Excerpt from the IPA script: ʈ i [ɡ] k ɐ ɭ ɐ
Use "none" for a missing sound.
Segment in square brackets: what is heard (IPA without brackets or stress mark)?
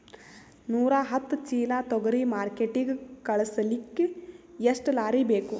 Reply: ɡ